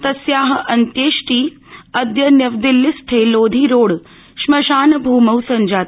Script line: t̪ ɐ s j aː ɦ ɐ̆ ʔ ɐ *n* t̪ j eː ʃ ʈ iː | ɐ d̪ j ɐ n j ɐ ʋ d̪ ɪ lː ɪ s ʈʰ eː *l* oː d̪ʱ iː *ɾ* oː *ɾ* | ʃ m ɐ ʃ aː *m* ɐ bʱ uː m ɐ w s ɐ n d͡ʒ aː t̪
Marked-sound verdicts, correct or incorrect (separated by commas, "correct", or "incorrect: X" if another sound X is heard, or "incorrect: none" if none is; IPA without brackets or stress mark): correct, correct, correct, incorrect: ɽ, incorrect: n